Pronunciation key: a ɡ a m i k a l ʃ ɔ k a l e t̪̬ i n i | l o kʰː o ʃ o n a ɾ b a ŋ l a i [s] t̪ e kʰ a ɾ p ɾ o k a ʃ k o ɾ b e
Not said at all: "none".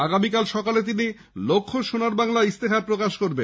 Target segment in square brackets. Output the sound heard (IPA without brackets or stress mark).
s